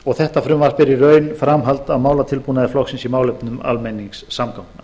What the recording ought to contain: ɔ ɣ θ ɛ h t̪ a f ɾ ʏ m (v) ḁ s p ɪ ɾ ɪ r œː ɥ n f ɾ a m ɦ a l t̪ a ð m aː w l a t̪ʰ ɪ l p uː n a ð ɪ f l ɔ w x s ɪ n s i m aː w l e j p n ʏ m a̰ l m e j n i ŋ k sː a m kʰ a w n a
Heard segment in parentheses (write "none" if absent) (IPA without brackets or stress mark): v